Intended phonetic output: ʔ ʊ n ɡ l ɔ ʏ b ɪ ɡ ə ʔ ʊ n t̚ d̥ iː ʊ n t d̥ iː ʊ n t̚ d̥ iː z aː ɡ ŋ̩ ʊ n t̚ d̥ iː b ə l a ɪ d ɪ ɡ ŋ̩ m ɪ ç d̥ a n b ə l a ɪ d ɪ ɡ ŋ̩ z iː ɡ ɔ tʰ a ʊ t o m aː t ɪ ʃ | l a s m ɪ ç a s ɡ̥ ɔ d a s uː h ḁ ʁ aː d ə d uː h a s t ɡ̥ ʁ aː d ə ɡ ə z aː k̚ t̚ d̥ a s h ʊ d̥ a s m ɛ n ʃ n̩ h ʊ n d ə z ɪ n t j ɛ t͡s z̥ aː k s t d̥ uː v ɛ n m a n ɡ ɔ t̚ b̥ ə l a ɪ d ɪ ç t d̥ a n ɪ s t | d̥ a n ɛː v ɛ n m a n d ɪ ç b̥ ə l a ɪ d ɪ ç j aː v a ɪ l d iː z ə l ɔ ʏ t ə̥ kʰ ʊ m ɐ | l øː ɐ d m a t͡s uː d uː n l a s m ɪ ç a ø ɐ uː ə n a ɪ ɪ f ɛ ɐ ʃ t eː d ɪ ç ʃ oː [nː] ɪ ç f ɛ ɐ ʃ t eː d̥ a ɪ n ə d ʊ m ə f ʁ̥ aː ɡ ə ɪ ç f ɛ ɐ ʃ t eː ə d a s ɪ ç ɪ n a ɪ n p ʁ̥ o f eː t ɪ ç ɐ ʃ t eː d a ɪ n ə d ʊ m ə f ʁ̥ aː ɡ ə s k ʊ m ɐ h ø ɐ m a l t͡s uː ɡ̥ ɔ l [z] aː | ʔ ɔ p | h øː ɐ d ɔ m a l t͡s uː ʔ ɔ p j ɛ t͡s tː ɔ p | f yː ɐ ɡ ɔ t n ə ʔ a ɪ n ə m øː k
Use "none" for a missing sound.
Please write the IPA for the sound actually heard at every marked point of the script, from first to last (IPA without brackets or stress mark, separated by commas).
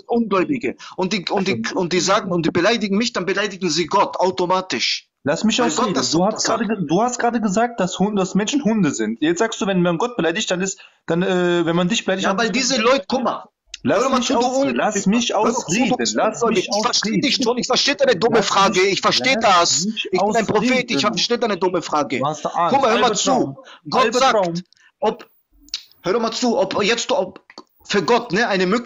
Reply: n, z